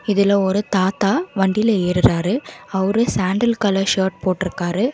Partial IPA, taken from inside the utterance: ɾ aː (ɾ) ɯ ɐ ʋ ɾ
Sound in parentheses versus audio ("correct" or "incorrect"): correct